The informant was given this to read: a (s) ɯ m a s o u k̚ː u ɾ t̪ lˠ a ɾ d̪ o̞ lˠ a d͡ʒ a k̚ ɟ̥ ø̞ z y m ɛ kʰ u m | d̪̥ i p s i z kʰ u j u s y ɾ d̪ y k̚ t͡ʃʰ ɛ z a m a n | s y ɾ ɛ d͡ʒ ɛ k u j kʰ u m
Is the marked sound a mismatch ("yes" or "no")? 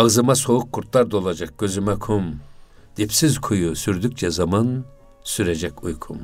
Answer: yes